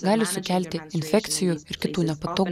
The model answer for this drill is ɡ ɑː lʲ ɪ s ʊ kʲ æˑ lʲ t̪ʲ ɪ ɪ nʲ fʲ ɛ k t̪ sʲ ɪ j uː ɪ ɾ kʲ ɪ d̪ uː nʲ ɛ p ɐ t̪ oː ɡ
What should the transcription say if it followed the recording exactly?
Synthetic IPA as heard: ɡ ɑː lʲ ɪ s ʊ kʲ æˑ lʲ t̪ʲ ɪ ɪ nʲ fʲ ɛ k t̪ sʲ ɪ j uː ɪ ɾ kʲ ɪ t̪ uː nʲ ɛ p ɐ t̪ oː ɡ